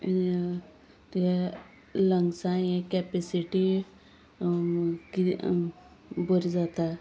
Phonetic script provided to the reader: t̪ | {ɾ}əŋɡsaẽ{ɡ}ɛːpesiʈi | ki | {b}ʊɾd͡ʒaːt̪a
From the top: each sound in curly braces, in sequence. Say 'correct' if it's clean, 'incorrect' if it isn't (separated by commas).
incorrect, incorrect, correct